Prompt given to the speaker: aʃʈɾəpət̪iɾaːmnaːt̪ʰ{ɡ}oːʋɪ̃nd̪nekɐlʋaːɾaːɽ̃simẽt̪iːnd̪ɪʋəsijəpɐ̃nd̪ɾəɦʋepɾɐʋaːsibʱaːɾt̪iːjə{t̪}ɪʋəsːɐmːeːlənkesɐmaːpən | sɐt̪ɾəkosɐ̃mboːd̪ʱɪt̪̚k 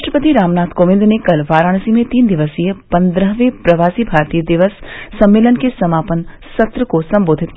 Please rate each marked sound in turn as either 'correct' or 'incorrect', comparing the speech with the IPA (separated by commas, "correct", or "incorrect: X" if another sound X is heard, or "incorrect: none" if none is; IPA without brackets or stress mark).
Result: incorrect: k, incorrect: d̪